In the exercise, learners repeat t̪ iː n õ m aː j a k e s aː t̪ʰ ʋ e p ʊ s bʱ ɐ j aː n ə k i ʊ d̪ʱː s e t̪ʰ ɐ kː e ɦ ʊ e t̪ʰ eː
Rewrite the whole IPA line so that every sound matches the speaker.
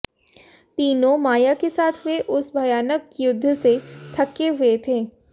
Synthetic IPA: t̪ iː n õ m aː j a k e s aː t̪ʰ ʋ e ʔ ʊ s bʱ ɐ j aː n ə k j ʊ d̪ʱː s e t̪ʰ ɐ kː e ɦ ʊ e t̪ʰ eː